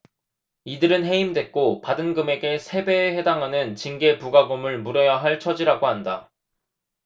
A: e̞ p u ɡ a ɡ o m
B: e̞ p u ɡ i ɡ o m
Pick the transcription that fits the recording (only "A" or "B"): A